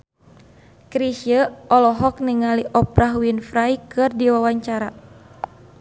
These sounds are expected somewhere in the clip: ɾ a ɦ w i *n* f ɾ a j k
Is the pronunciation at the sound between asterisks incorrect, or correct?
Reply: correct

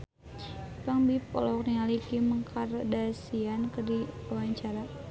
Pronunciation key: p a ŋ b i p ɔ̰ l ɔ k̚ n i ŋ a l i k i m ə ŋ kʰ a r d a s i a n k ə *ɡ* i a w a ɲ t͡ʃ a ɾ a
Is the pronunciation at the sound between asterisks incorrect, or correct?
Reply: incorrect: d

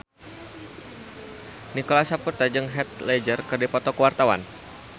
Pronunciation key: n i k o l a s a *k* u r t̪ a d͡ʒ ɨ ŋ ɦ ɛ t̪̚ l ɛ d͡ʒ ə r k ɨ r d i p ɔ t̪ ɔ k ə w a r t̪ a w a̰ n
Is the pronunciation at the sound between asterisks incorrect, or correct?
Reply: incorrect: p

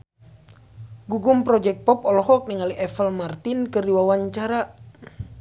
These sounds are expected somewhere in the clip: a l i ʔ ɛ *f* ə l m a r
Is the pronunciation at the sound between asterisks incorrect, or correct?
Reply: correct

